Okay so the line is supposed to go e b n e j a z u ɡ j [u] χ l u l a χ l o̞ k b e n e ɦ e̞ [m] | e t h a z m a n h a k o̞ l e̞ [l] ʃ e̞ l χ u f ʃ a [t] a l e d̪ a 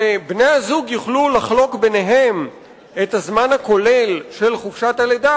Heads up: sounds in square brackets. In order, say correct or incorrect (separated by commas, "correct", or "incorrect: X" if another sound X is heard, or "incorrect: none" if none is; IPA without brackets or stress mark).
correct, correct, correct, correct